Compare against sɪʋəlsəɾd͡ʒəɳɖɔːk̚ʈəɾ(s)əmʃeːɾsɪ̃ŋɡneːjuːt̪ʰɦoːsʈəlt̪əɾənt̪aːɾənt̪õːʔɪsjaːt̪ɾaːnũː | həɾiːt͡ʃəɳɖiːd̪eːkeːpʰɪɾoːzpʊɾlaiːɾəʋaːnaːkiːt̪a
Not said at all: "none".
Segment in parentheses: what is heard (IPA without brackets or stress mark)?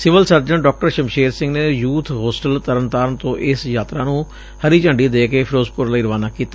ʃ